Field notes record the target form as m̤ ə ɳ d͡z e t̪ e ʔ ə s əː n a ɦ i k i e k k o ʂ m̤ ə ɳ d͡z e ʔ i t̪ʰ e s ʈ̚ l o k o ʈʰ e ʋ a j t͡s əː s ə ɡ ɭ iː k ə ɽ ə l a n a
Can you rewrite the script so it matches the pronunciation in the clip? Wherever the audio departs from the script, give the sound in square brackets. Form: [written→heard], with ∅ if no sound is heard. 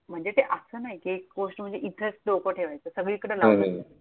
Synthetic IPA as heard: m̤ ə ɳ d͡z e t̪ e ʔ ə s əː n a ɦ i k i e k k o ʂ m̤ ə ɳ d͡z e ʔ i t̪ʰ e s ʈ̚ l o k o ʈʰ e ʋ a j t͡s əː s ə ɡ ɭ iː k ə ɽ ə l a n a